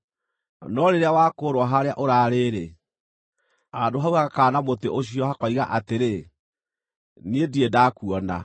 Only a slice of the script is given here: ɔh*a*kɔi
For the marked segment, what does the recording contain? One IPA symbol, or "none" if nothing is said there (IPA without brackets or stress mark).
a